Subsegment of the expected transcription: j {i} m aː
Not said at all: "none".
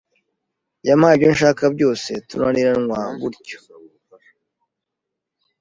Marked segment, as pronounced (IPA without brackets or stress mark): a